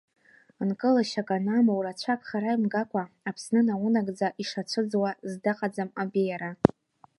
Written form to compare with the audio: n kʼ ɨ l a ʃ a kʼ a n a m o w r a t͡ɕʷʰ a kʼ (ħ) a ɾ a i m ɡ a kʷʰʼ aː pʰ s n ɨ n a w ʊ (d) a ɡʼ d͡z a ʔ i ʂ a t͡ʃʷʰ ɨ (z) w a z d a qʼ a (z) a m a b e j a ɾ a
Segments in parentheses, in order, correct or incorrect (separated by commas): incorrect, incorrect, incorrect, incorrect